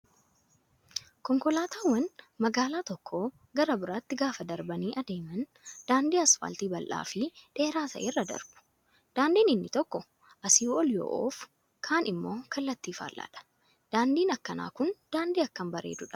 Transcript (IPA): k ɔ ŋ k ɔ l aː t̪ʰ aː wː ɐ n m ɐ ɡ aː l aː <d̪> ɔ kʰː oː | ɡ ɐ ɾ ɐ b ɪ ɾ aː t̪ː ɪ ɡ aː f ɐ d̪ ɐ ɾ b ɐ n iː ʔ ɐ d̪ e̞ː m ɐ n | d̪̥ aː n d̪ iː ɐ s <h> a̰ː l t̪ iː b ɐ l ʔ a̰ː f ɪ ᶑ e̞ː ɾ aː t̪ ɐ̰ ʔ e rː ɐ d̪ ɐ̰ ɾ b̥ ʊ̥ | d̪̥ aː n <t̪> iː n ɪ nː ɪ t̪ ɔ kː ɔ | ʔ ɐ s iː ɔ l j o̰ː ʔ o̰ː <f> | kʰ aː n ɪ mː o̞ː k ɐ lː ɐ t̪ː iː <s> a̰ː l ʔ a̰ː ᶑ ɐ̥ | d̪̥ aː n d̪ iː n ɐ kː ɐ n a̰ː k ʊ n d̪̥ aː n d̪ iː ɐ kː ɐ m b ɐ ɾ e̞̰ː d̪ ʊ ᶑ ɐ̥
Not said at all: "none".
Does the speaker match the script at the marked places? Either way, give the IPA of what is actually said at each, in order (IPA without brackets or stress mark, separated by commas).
t̪, f, d̪, f, f